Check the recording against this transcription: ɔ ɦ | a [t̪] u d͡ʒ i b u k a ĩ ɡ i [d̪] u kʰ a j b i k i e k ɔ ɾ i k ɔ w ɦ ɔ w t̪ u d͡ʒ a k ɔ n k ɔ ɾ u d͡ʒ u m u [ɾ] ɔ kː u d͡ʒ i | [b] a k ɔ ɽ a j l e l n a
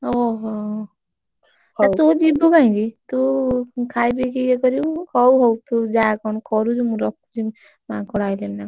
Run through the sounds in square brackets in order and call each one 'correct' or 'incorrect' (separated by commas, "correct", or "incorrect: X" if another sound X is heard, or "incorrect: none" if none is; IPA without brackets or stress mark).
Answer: correct, incorrect: t̪, correct, incorrect: m